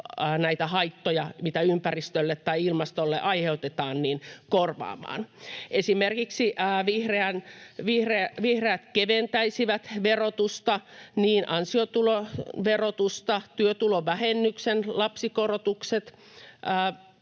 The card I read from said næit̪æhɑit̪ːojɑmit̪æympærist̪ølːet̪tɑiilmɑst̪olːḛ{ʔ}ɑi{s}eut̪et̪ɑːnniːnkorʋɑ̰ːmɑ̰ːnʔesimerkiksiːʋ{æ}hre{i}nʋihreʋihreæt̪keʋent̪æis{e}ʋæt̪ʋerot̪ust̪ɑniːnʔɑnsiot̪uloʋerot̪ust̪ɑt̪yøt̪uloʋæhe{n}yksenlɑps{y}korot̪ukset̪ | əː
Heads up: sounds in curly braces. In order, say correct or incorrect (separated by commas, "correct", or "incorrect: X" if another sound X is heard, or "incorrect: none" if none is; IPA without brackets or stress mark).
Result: correct, incorrect: h, incorrect: i, incorrect: æ, incorrect: i, incorrect: nː, incorrect: i